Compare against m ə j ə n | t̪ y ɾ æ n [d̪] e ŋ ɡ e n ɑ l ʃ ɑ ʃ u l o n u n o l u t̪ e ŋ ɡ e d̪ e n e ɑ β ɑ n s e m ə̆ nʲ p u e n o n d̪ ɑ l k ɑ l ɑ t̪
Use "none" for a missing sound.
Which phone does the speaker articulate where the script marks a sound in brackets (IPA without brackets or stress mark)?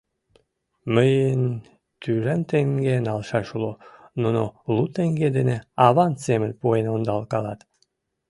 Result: t̪